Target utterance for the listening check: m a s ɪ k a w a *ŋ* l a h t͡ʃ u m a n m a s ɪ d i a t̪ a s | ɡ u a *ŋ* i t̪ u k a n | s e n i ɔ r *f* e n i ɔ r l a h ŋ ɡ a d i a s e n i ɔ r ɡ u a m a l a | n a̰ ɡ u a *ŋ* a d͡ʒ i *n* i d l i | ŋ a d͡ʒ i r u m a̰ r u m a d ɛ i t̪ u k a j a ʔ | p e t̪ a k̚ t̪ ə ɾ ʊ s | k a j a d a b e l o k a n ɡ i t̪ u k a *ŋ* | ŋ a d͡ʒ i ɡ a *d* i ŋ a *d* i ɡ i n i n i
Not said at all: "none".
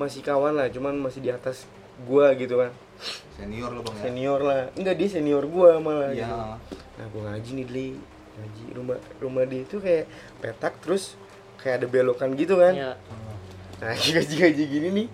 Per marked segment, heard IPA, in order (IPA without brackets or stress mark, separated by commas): n, ɡ, s, ŋ, n, n, d͡ʒ, d͡ʒ